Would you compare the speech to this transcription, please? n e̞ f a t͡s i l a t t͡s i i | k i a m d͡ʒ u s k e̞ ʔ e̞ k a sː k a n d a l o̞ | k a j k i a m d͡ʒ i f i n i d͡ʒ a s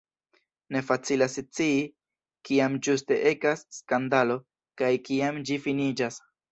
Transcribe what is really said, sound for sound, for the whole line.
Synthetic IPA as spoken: n e̞ f a t͡s i l a s t͡s i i | k i a m d͡ʒ u s t e̞ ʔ e̞ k a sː k a n d a l o̞ | k a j k i a m d͡ʒ i f i n i d͡ʒ a s